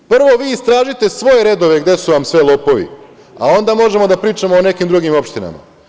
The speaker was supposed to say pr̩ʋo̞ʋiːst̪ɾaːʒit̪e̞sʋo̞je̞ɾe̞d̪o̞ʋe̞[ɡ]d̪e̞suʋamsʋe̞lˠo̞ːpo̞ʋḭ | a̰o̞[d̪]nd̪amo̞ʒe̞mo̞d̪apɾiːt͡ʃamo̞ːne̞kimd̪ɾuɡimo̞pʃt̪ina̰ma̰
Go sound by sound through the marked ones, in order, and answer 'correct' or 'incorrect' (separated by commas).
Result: correct, incorrect